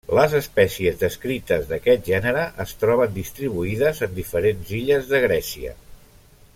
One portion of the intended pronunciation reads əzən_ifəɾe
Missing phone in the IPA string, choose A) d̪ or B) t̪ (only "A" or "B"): A